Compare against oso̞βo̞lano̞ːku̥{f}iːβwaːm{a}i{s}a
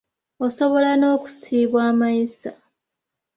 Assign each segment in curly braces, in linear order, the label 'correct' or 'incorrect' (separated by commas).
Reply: incorrect, correct, correct